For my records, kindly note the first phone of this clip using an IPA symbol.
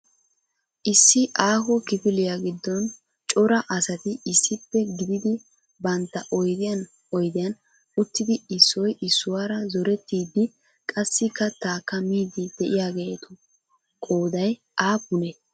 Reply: ʔ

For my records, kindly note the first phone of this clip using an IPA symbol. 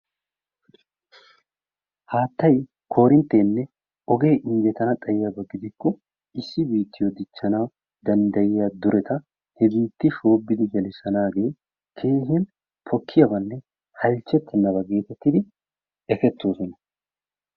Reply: h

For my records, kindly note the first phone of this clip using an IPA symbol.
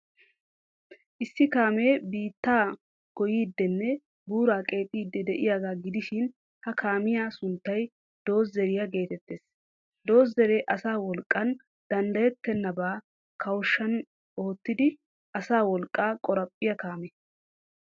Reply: ʔ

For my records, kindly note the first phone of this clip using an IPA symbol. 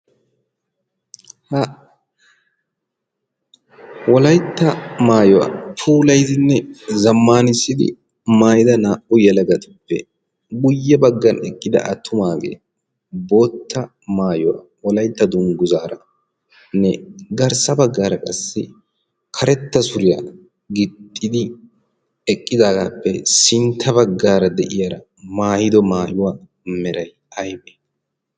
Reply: h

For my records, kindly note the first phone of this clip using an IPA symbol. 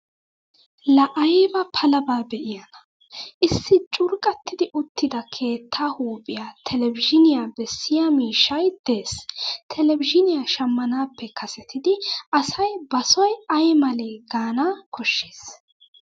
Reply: l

